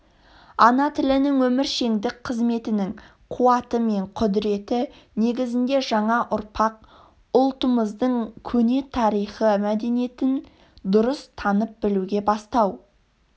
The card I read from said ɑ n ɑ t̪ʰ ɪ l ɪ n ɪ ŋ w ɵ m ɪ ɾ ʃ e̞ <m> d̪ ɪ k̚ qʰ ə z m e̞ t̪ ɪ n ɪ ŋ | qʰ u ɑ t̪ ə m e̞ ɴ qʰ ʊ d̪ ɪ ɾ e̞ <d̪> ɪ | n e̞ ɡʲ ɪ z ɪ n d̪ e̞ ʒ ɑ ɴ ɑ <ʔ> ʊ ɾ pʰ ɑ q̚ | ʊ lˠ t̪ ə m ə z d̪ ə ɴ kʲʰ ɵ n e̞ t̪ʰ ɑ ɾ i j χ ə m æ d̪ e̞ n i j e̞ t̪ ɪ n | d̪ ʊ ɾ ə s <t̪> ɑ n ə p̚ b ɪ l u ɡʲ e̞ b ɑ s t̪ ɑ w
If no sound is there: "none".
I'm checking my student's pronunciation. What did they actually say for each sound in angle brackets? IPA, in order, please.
ŋ, t̪, ʔ, t̪ʰ

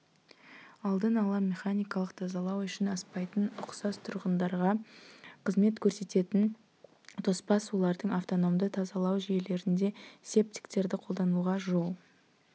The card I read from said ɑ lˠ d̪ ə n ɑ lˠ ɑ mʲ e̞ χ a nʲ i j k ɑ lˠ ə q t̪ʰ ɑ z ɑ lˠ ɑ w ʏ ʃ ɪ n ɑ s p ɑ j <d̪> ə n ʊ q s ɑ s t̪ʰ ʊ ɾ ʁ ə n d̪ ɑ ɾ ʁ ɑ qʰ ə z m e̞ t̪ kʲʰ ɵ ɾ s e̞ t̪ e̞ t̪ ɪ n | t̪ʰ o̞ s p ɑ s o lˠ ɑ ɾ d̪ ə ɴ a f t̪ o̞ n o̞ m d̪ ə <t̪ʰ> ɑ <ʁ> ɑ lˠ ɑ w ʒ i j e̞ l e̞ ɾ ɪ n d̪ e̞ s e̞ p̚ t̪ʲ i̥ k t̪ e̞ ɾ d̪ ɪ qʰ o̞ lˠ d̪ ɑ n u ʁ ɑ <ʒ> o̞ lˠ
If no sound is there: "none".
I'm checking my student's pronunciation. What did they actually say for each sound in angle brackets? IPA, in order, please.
t̪, t̪ʰ, z, ʒ

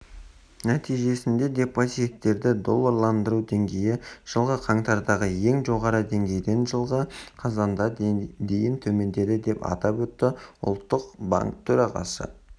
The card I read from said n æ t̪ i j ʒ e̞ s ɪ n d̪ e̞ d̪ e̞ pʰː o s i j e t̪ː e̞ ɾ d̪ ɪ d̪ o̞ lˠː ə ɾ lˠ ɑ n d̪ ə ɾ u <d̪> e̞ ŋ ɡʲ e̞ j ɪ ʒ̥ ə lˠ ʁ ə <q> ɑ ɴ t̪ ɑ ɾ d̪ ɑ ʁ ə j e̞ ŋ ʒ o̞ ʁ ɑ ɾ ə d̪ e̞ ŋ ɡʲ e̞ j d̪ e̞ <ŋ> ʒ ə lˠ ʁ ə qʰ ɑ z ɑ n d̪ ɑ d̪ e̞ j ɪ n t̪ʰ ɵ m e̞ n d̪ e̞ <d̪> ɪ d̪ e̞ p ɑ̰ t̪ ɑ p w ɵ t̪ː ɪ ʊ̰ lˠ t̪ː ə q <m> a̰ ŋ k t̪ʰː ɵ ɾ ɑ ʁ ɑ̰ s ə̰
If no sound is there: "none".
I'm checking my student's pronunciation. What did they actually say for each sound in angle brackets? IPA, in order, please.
d̪, qʰ, n, d̪, b

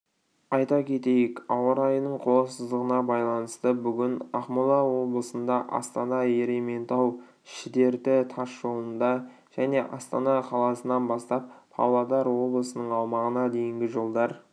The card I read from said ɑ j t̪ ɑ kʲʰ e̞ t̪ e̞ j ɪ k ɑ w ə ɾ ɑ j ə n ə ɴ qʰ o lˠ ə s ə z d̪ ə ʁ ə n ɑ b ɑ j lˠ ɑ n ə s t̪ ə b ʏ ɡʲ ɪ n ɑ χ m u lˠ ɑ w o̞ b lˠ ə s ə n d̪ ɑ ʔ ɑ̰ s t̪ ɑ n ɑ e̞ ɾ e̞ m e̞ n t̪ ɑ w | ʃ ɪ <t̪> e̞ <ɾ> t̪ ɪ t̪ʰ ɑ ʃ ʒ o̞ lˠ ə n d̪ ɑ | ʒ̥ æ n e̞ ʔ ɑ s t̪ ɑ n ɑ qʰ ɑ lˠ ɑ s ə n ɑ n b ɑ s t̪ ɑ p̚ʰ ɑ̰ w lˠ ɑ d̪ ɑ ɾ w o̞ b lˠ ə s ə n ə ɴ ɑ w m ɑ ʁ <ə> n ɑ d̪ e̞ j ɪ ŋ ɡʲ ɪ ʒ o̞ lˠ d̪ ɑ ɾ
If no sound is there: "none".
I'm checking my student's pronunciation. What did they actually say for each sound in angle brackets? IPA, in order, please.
d̪, ɾ, ə

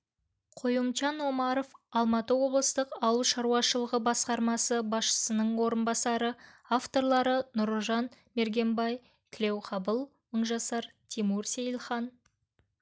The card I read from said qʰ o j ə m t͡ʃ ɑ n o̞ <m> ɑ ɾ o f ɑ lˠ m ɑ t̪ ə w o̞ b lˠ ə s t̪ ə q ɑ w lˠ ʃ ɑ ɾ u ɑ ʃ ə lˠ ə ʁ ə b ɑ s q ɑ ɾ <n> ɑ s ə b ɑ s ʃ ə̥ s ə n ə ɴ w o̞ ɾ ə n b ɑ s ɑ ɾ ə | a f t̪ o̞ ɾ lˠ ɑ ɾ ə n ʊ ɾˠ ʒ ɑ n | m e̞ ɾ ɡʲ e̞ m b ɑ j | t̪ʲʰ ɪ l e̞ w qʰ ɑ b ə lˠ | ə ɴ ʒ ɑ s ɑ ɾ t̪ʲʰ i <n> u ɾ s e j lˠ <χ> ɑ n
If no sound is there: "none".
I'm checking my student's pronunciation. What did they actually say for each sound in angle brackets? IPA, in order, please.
m, m, m, χ

